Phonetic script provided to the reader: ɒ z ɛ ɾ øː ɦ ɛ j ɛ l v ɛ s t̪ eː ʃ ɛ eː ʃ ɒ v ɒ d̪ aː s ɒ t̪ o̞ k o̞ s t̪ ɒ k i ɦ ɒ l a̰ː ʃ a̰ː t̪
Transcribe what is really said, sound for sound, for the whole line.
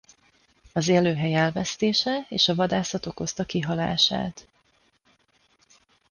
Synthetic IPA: ɒ z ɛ l øː ɦ ɛ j ɛ l v ɛ s t̪ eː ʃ ɛ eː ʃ ɒ v ɒ d̪ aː s ɒ t̪ o̞ k o̞ s t̪ ɒ k i ɦ ɒ l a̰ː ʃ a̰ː t̪